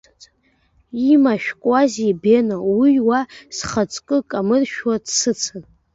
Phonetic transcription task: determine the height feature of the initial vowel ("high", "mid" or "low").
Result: high